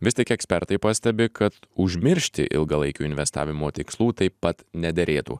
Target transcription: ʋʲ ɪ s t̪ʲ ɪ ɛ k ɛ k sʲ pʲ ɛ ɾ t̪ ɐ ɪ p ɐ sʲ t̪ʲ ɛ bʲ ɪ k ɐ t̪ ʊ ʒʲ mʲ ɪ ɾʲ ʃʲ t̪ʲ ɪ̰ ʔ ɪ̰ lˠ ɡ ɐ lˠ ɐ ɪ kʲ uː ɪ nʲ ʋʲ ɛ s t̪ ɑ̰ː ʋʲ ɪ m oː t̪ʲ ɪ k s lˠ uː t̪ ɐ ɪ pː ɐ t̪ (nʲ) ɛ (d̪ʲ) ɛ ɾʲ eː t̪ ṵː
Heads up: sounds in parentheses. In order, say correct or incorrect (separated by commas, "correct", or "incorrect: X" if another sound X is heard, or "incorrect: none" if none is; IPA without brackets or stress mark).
correct, correct